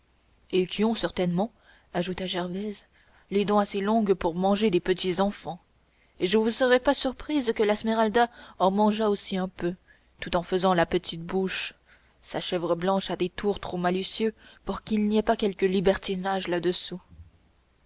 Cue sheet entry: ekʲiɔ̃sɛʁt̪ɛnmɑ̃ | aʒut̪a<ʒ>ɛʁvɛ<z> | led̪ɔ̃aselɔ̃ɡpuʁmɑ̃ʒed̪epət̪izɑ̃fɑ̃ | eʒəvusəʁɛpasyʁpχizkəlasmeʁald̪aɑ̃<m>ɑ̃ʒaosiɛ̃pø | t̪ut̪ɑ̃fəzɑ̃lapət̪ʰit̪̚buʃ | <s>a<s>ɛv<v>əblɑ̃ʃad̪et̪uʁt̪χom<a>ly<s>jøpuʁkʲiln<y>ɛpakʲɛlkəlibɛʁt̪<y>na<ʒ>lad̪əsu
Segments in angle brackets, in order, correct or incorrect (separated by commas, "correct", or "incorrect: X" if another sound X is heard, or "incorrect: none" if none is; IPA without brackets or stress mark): correct, correct, correct, correct, incorrect: ʃ, incorrect: ʁ, correct, correct, incorrect: i, incorrect: i, correct